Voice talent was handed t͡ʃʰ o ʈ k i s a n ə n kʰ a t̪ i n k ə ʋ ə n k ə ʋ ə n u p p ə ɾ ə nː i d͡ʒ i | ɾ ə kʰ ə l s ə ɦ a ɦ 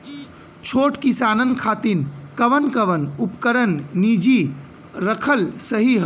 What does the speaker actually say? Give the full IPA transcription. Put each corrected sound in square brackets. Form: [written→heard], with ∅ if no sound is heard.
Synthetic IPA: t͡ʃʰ o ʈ k i s a n ə n kʰ a t̪ i n k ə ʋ ə n k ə ʋ ə n u p [p→k] ə ɾ ə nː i d͡ʒ i | ɾ ə kʰ ə l s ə ɦ [a→i] ɦ